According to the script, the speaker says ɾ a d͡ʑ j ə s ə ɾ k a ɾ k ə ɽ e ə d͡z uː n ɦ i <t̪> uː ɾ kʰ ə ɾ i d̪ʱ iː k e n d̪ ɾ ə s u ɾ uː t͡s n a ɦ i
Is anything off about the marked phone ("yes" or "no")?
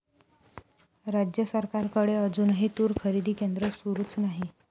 no